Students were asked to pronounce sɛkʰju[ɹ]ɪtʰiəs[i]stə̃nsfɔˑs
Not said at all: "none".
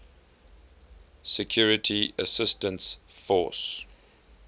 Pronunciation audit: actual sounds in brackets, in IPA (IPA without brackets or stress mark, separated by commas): ɹ, ɪ